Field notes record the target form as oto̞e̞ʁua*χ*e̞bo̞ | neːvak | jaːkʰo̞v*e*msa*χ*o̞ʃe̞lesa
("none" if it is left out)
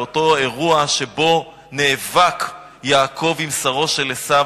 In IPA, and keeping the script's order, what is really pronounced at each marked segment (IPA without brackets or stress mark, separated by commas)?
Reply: ʃ, i, ʁ